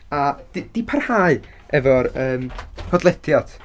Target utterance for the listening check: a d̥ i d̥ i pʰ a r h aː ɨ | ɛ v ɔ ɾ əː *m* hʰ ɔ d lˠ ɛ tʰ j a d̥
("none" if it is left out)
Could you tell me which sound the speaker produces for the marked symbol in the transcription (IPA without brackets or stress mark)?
m